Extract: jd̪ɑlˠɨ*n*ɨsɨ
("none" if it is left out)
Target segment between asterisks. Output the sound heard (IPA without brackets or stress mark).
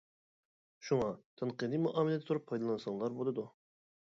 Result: n